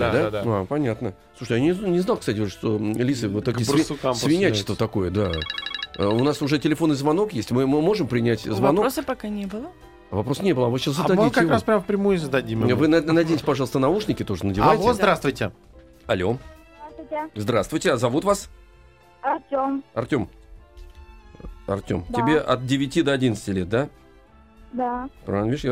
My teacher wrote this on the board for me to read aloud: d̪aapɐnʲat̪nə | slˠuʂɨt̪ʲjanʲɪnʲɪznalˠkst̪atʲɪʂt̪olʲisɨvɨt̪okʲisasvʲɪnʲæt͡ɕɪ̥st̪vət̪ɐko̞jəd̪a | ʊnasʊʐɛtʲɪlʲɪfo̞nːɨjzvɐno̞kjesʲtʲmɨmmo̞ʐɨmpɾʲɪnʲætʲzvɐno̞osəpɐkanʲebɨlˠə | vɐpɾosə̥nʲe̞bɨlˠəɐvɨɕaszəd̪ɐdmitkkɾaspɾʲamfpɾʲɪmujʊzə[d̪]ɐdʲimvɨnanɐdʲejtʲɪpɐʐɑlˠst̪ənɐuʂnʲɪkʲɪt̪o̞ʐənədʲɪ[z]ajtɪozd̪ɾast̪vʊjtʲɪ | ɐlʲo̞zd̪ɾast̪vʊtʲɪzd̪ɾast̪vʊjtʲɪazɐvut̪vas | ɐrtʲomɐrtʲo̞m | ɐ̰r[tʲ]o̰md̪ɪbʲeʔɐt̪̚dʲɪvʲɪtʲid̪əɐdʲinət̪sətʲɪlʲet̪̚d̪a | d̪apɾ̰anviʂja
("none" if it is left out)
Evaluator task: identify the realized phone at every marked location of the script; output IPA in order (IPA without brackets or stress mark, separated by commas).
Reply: d̪, v, tʲ